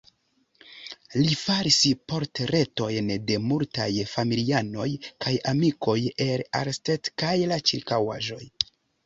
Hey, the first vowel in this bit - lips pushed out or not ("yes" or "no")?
no